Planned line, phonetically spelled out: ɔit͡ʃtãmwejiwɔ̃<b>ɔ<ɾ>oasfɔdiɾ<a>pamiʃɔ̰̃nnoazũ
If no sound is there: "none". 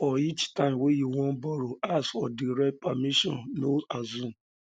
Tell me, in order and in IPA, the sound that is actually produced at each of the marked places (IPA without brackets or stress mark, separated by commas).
b, ɾ, ɛ